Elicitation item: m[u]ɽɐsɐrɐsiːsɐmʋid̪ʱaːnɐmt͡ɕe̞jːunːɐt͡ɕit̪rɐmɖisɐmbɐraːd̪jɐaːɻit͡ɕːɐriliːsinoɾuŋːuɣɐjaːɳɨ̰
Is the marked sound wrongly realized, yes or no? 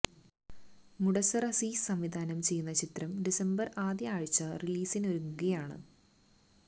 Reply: no